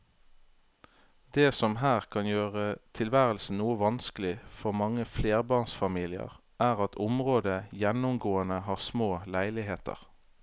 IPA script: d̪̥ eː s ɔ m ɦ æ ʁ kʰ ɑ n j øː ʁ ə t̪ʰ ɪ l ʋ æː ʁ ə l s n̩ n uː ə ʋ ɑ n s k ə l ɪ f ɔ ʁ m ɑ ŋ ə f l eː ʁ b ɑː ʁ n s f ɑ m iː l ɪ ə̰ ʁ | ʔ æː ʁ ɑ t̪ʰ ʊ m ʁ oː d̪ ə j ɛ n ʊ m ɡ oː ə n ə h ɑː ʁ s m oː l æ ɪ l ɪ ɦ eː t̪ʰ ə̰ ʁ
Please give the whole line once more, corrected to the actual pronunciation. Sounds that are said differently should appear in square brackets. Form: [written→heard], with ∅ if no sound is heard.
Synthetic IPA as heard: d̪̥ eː s ɔ m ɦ [æ→æː] ʁ kʰ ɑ n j øː ʁ ə t̪ʰ ɪ l ʋ æː ʁ ə l s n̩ n uː ə ʋ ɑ n s k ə l ɪ f ɔ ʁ m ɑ ŋ ə f l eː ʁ b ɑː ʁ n s f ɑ m iː l ɪ ə̰ ʁ | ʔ æː ʁ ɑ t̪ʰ ʊ m ʁ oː d̪ ə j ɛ n ʊ m ɡ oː ə n ə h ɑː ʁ s m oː l æ ɪ l ɪ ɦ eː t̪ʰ ə̰ ʁ